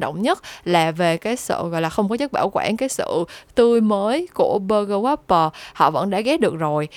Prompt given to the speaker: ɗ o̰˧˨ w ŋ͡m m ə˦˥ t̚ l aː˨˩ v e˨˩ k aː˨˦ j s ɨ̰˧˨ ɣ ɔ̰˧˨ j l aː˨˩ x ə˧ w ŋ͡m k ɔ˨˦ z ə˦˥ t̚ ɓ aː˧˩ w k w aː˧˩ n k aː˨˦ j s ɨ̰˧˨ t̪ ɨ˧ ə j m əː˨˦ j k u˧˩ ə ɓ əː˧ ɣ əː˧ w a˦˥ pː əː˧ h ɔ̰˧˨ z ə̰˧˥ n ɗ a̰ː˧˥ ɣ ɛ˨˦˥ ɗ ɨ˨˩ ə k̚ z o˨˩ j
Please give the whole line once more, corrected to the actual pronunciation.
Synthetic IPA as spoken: ɗ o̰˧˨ w ŋ͡m ɲ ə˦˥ t̚ l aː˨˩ v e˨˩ k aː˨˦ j s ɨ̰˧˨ ɣ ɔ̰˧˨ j l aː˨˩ x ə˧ w ŋ͡m k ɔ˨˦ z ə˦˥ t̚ ɓ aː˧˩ w k w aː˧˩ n k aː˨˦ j s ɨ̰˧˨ t̪ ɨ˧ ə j m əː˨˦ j k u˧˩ ə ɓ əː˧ ɣ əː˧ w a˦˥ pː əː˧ h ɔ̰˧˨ v ə̰˧˥ n ɗ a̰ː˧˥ ɣ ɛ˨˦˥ ɗ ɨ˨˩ ə k̚ z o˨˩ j